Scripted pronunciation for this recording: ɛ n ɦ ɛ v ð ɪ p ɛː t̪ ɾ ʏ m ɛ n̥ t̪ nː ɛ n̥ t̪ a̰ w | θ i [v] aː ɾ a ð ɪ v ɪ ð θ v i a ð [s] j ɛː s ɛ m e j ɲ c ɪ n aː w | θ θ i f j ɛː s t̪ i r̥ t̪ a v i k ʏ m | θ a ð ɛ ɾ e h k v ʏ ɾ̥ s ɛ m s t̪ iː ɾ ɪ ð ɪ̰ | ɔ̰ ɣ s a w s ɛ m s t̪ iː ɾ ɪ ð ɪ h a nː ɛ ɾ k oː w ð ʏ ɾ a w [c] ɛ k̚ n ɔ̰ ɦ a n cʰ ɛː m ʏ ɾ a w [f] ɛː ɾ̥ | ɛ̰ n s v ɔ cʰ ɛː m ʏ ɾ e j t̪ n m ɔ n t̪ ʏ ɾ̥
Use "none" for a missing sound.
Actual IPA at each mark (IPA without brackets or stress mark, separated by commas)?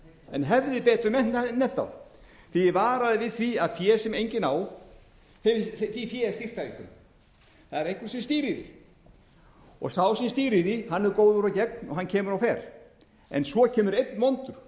v, f, c, f